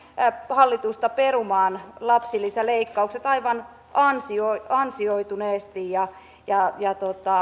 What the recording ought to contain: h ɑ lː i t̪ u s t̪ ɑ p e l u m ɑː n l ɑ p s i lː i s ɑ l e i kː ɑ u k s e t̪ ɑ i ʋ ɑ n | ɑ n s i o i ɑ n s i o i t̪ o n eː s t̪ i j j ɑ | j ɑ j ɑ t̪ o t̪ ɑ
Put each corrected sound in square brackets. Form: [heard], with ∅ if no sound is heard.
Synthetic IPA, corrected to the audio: h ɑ lː i t̪ u s t̪ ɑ p e [r] u m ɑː n l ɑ p s i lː i s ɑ l e i kː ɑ u k s e t̪ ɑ i ʋ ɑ n | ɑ n s i o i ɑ n s i o i t̪ [u] n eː s t̪ i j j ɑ | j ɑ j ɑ t̪ o t̪ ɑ